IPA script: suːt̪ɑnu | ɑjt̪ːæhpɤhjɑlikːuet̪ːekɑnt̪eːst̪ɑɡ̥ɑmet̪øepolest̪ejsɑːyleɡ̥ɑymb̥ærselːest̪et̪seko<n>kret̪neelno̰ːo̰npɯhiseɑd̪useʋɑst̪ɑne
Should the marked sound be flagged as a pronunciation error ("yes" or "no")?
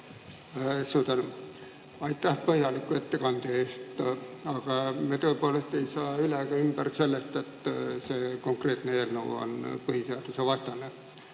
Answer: yes